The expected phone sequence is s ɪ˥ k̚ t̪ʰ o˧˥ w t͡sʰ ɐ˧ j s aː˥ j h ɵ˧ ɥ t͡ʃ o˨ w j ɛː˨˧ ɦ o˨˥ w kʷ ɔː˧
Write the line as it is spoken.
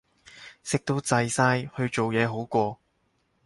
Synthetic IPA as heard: s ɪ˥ k̚ t̪ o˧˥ w t͡s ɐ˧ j s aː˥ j h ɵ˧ ɥ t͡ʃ o˨ w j ɛː˨˧ ɦ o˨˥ w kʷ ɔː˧